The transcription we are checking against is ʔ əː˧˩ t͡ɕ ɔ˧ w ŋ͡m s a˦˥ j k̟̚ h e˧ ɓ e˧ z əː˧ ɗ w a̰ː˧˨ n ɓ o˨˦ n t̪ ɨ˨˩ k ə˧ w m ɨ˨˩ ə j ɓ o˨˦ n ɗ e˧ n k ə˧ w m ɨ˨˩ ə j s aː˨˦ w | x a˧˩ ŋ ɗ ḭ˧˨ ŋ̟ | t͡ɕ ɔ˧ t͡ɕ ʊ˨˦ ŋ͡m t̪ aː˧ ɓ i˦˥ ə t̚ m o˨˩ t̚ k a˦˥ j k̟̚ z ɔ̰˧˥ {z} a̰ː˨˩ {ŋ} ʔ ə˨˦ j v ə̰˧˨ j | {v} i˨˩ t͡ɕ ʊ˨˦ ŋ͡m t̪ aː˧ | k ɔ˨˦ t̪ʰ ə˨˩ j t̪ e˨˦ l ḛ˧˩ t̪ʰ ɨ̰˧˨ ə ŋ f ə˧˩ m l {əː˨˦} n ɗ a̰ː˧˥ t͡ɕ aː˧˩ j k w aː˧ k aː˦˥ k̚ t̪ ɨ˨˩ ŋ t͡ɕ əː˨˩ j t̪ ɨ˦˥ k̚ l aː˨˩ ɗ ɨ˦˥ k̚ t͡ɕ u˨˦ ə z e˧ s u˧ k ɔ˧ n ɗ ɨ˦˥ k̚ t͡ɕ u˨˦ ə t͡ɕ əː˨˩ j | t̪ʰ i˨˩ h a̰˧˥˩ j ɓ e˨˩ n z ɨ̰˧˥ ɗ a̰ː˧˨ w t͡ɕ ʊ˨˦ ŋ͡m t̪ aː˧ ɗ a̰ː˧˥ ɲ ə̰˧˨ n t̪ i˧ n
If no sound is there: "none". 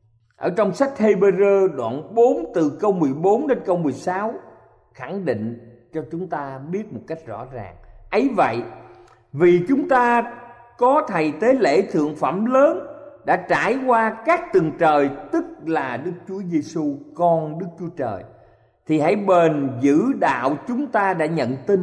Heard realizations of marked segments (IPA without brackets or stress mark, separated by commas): z, ŋ, v, əː˨˦